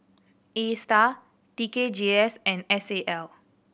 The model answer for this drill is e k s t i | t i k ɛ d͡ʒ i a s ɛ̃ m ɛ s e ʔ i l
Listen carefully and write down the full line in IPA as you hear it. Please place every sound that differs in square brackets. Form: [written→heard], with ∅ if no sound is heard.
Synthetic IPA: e [k→∅] s t [i→a] | t i k [ɛ→e] d͡ʒ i [a→ɛ] s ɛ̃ [m→n] ɛ s e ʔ [i→ɛ] l